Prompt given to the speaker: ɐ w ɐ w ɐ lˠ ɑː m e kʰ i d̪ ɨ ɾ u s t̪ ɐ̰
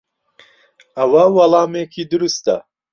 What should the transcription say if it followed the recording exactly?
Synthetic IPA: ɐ w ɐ w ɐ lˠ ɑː m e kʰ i d̪ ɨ ɾ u s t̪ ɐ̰